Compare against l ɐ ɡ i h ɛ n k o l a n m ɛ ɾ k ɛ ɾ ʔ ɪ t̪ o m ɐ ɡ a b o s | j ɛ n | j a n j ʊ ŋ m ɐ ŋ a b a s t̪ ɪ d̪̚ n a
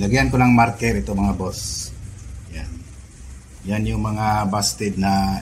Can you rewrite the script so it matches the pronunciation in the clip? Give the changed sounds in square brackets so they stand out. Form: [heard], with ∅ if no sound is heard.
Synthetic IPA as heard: l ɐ ɡ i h [a] n k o l a [ŋ] m [a] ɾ k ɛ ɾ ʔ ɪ t̪ o m ɐ [ŋ] a b o s | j [a] n | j a n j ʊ ŋ m ɐ ŋ a b a s t̪ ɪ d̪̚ n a